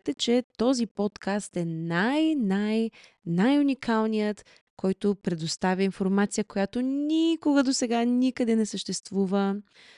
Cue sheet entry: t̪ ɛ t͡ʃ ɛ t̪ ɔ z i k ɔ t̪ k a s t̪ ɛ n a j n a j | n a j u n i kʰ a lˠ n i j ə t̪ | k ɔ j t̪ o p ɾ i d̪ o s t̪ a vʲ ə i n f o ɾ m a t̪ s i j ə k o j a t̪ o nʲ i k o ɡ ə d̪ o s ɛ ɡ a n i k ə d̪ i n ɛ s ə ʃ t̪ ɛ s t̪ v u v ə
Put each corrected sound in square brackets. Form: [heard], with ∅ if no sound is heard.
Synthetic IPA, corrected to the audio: t̪ ɛ t͡ʃ ɛ t̪ ɔ z i [p] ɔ t̪ k a s t̪ ɛ n a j n a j | n a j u n i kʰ a lˠ n i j ə t̪ | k ɔ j t̪ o p ɾ [ɛ] d̪ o s t̪ a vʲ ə i n f o ɾ m a t̪ s i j ə k o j a t̪ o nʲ i k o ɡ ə d̪ o s ɛ ɡ a n i k ə d̪ [ɛ] n ɛ s ə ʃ t̪ ɛ s t̪ v u v ə